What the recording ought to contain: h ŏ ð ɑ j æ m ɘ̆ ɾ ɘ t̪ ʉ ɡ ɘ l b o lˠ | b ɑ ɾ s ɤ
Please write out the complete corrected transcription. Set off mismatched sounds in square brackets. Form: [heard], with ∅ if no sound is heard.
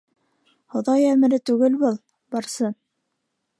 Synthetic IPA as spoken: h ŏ ð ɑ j æ m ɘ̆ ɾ ɘ t̪ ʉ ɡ ɘ l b [ɤ] lˠ | b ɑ ɾ s ɤ